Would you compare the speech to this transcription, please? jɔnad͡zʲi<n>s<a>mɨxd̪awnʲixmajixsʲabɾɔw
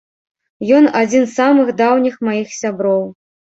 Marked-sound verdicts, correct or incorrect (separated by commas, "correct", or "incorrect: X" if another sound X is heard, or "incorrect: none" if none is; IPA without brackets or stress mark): correct, correct